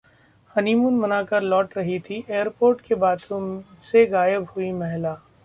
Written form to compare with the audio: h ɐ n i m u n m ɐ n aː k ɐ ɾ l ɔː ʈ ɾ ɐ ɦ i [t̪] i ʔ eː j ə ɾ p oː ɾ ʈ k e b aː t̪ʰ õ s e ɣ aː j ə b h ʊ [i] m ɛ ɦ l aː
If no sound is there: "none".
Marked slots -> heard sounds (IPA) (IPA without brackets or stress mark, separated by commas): t̪ʰ, i